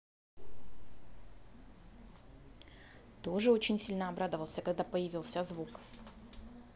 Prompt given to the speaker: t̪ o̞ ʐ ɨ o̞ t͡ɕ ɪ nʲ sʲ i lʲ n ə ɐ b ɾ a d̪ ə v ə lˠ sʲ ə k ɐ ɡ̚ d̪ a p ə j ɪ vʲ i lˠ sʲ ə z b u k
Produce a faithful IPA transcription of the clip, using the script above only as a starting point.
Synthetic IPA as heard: t̪ o̞ ʐ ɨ o̞ t͡ɕ ɪ nʲ sʲ i lʲ n ə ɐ b ɾ a d̪ ə v ə lˠ sʲ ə k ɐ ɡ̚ d̪ a p ə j ɪ vʲ i lˠ sʲ ə z v u k